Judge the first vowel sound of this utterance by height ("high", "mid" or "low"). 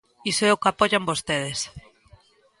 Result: high